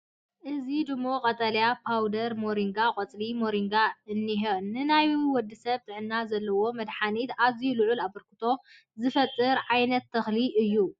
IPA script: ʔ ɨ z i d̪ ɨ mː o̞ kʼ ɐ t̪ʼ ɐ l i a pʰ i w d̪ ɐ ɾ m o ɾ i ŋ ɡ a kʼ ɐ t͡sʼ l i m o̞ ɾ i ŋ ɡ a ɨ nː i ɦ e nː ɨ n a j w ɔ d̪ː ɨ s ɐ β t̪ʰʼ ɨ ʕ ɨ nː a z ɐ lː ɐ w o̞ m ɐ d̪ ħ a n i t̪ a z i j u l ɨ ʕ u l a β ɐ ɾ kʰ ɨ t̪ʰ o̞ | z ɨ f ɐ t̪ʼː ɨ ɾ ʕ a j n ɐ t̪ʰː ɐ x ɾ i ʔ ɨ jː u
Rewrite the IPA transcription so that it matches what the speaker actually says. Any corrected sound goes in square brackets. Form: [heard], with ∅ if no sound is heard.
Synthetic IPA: ʔ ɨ z i d̪ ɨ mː o̞ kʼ ɐ t̪ʼ ɐ l [j] a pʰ [a] w d̪ ɐ ɾ m o ɾ i ŋ ɡ a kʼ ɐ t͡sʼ l i m o̞ ɾ i ŋ ɡ a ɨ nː i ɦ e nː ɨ n a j w ɔ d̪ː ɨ s ɐ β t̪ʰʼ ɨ ʕ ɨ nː a z ɐ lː ɐ w o̞ m ɐ d̪ ħ a n i t̪ a z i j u l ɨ ʕ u l a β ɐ ɾ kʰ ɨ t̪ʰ o̞ | z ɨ f ɐ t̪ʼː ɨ ɾ ʕ a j n ɐ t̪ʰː ɐ x [l] i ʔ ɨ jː u